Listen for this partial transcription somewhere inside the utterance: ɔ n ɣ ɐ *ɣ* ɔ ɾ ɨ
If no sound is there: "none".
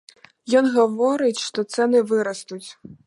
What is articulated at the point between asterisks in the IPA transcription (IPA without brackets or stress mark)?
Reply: v